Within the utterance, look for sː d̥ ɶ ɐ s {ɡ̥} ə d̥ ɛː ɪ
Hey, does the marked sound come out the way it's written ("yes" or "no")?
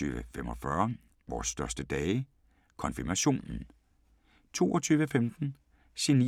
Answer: no